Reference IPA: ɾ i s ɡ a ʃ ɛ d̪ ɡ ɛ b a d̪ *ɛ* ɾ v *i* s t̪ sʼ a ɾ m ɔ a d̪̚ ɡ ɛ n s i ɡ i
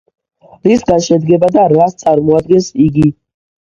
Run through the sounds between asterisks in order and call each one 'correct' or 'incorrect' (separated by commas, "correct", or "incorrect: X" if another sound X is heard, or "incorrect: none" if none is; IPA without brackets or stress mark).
incorrect: a, incorrect: a